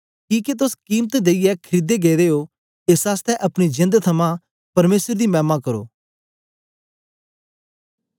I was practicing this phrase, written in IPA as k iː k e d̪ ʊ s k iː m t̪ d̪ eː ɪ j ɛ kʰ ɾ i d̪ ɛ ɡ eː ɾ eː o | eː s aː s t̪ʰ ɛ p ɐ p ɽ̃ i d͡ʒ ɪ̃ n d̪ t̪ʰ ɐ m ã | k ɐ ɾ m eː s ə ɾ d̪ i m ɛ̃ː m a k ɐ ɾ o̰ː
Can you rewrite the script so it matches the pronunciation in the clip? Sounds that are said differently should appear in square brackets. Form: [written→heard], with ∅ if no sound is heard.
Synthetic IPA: k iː k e [d̪→t̪] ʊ s k iː m t̪ d̪ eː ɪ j ɛ kʰ ɾ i d̪ [ɛ→e] ɡ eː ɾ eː o | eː s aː s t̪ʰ ɛ [p→ʔ] ɐ p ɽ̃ i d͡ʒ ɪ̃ n d̪ t̪ʰ ɐ m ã | [k→p] ɐ ɾ m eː s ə ɾ d̪ i m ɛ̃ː m a k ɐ ɾ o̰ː